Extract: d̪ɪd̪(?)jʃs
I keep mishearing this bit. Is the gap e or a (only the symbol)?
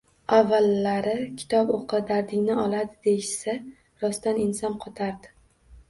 e